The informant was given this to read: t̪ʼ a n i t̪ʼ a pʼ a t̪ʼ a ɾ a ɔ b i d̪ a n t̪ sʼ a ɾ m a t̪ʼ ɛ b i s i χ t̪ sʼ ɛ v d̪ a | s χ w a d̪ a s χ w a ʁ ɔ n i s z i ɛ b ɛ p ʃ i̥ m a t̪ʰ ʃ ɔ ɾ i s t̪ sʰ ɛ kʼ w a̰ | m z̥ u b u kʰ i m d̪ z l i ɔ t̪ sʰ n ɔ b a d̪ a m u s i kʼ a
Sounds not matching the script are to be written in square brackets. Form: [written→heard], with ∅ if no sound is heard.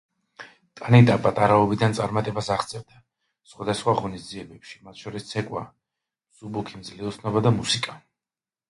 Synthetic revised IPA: t̪ʼ a n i t̪ʼ a pʼ a t̪ʼ a ɾ a ɔ b i d̪ a n t̪ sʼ a ɾ m a t̪ʼ ɛ b [i→a] s [i→a] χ t̪ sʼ ɛ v d̪ a | s χ w a d̪ a s χ w a ʁ ɔ n i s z i ɛ b ɛ p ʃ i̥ m a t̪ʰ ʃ ɔ ɾ i s t̪ sʰ ɛ kʼ w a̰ | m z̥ u b u kʰ i m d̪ z l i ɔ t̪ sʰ n ɔ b a d̪ a m u s i kʼ a

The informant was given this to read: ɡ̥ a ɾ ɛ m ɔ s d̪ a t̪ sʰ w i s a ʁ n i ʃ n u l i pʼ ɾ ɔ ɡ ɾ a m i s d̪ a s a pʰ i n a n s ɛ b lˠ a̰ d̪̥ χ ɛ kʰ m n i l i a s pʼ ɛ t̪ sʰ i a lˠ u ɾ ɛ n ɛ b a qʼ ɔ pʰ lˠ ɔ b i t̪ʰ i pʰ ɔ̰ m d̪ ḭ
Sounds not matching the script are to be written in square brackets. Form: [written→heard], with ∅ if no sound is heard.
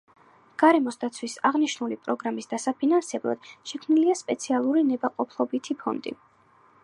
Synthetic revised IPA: ɡ̥ a ɾ ɛ m ɔ s d̪ a t̪ sʰ w i s a ʁ n i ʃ n u l i pʼ ɾ ɔ ɡ ɾ a m i s d̪ a s a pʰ i n a n s ɛ b lˠ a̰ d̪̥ [χ→ʃ] ɛ kʰ m n i l i a s pʼ ɛ t̪ sʰ i a lˠ u ɾ [ɛ→i] n ɛ b a qʼ ɔ pʰ lˠ ɔ b i t̪ʰ i pʰ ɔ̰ [m→n] d̪ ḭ

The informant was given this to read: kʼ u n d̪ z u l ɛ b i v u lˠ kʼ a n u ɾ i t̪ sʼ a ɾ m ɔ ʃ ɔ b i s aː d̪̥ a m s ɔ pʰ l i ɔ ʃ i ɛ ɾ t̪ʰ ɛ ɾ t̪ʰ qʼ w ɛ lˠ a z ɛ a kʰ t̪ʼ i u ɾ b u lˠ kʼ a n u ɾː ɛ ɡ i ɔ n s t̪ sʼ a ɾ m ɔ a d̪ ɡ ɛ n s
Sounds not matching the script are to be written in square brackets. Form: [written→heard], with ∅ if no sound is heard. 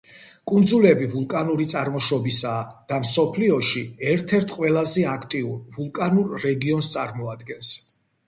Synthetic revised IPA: kʼ u n d̪ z u l ɛ b i v u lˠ kʼ a n u ɾ i t̪ sʼ a ɾ m ɔ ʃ ɔ b i s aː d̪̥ a m s ɔ pʰ l i ɔ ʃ i ɛ ɾ t̪ʰ ɛ ɾ t̪ʰ qʼ w ɛ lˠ a z ɛ a kʰ t̪ʼ i u ɾ [b→v] u lˠ kʼ a n u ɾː ɛ ɡ i ɔ n s t̪ sʼ a ɾ m ɔ a d̪ ɡ ɛ n s

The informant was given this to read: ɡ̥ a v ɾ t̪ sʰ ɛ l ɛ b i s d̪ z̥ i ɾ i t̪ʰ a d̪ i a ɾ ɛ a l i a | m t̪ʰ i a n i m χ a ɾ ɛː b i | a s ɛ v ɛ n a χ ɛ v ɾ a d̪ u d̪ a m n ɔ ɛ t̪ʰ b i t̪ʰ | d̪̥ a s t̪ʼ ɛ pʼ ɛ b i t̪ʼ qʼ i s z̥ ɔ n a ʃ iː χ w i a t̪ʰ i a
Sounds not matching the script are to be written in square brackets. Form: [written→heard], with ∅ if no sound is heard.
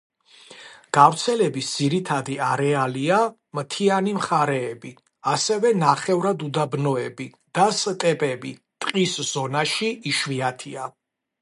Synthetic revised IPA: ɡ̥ a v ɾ t̪ sʰ ɛ l ɛ b i s d̪ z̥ i ɾ i t̪ʰ a d̪ i a ɾ ɛ a l i a | m t̪ʰ i a n i m χ a ɾ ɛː b i | a s ɛ v ɛ n a χ ɛ v ɾ a d̪ u d̪ a [m→b] n ɔ ɛ [t̪ʰ→∅] b i [t̪ʰ→∅] | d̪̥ a s t̪ʼ ɛ pʼ ɛ b i t̪ʼ qʼ i s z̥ ɔ n a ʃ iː [χ→ʃ] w i a t̪ʰ i a

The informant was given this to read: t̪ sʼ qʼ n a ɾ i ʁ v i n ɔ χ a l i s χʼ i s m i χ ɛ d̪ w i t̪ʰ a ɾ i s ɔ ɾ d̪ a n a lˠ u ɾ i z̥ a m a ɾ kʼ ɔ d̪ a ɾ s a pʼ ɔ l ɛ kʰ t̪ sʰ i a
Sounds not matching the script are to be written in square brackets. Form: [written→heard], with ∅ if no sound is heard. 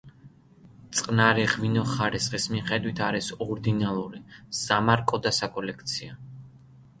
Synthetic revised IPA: t̪ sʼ qʼ n a ɾ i ʁ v i n ɔ χ a [l→ɾ] i s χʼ i s m i χ ɛ d̪ w i t̪ʰ a ɾ i s ɔ ɾ d̪ [a→i] n a lˠ u ɾ i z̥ a m a ɾ kʼ ɔ d̪ a [ɾ→∅] s a [pʼ→kʼ] ɔ l ɛ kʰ t̪ sʰ i a

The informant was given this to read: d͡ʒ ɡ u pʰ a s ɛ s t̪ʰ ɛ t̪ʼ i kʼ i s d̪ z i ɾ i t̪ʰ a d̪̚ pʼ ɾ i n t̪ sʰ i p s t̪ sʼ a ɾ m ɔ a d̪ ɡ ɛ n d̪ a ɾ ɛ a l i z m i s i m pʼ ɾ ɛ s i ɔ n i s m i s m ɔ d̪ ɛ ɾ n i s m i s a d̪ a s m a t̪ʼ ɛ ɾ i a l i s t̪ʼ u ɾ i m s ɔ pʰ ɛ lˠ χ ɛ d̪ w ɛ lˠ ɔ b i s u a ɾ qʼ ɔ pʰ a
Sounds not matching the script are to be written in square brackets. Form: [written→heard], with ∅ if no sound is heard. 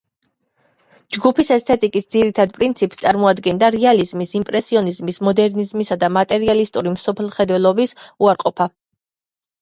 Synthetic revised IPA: d͡ʒ ɡ u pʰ [a→i] s ɛ s t̪ʰ ɛ t̪ʼ i kʼ i s d̪ z i ɾ i t̪ʰ a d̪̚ pʼ ɾ i n t̪ sʰ i p s t̪ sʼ a ɾ m ɔ a d̪ ɡ ɛ n d̪ a ɾ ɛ a l i z m i s i m pʼ ɾ ɛ s i ɔ n i [s→z] m i s m ɔ d̪ ɛ ɾ n i [s→z] m i s a d̪ a [s→∅] m a t̪ʼ ɛ ɾ i a l i s t̪ʼ u ɾ i m s ɔ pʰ ɛ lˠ χ ɛ d̪ w ɛ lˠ ɔ b i s u a ɾ qʼ ɔ pʰ a

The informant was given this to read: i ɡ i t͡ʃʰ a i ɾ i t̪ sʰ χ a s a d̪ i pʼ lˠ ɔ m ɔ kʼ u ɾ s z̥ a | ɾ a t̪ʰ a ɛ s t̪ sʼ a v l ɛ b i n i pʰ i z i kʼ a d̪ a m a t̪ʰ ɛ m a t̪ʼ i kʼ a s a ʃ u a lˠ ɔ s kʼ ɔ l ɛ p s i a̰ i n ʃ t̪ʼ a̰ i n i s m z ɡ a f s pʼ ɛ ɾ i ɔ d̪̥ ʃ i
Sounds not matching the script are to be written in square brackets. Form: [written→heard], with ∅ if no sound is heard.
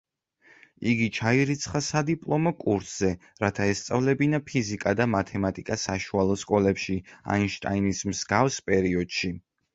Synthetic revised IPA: i ɡ i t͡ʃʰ a i ɾ i t̪ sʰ χ a s a d̪ i pʼ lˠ ɔ m ɔ kʼ u ɾ s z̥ [a→ɛ] | ɾ a t̪ʰ a ɛ s t̪ sʼ a v l ɛ b i n [i→a] pʰ i z i kʼ a d̪ a m a t̪ʰ ɛ m a t̪ʼ i kʼ a s a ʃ u a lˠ ɔ s kʼ ɔ l ɛ p [s→ʃ] i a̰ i n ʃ t̪ʼ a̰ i n i s m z ɡ a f s pʼ ɛ ɾ i ɔ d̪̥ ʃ i

